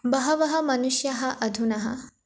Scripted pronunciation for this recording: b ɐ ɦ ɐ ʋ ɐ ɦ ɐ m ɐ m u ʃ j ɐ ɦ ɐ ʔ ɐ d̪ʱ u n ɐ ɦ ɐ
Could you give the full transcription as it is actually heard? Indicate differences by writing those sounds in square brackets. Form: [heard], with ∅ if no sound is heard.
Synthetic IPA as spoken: b ɐ ɦ ɐ ʋ ɐ ɦ ɐ m ɐ [n] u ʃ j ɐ ɦ ɐ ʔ ɐ d̪ʱ u n ɐ ɦ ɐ